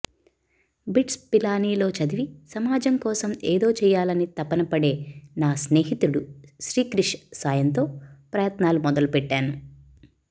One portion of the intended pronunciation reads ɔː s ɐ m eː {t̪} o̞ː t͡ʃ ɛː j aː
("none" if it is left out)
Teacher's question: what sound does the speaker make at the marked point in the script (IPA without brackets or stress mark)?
d̪